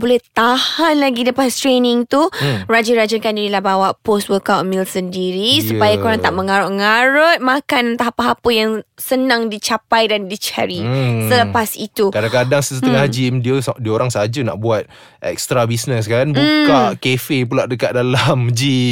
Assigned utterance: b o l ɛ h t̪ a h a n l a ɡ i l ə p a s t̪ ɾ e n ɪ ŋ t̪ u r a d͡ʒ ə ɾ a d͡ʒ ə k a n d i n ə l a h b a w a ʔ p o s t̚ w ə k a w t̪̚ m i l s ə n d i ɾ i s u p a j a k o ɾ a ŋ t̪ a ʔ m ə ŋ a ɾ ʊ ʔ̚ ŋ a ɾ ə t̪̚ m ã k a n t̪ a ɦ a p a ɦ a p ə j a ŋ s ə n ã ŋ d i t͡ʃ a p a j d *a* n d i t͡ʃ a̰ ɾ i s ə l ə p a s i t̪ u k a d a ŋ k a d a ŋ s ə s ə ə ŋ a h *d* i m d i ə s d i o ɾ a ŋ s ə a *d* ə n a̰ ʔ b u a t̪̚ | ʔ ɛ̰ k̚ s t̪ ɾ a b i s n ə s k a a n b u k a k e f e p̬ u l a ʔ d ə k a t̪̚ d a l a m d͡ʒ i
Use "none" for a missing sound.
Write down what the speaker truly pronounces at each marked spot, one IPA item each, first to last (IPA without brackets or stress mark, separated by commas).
a, d͡ʒ, d͡ʒ